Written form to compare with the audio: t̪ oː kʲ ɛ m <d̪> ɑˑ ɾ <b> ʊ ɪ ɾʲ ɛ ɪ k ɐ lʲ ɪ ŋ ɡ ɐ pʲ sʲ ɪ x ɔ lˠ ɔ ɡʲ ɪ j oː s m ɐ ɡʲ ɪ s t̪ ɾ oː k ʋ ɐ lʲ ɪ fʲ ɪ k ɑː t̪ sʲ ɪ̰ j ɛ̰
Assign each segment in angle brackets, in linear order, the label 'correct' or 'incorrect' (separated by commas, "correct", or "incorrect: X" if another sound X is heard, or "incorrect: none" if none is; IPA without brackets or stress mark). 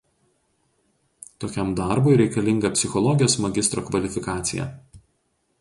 correct, correct